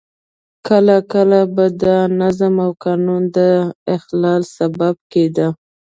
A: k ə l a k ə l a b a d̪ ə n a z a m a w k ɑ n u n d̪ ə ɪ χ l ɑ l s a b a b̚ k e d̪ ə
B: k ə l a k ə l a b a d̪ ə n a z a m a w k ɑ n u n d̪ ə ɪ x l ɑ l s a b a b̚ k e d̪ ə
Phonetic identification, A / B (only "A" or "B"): B